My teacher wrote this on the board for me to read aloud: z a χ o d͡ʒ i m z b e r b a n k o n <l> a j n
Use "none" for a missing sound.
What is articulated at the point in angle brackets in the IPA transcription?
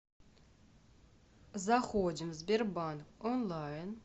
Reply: l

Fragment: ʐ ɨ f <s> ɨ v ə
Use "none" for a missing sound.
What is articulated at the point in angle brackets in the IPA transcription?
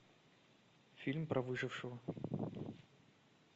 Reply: ʂ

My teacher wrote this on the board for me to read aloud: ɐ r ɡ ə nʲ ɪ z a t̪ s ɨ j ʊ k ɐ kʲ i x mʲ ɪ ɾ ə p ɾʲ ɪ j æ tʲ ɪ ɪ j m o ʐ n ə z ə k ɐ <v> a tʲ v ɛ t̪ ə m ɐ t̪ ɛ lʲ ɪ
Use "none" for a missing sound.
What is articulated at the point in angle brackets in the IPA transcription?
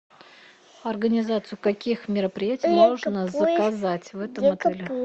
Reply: z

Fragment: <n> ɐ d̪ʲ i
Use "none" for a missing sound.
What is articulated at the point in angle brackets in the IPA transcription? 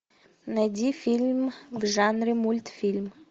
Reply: n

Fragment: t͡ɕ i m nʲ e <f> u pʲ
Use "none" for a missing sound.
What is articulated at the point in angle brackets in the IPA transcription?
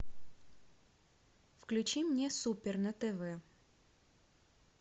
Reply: s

